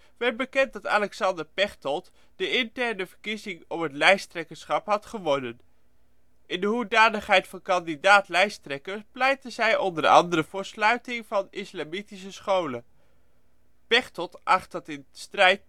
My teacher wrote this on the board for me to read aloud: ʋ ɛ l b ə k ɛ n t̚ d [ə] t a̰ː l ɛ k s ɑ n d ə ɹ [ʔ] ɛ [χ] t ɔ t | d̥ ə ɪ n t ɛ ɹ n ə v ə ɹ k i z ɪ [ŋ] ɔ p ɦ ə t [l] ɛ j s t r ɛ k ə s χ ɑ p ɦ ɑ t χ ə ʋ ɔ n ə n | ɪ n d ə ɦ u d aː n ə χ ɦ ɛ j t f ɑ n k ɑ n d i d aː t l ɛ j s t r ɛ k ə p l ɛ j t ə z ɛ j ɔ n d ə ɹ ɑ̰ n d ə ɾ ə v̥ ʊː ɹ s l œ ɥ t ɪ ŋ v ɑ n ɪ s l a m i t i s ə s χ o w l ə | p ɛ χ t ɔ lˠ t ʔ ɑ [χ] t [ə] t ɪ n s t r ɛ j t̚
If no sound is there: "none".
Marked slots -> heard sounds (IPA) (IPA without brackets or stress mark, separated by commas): ɑ, p, χ, ŋ, l, χ, ɑ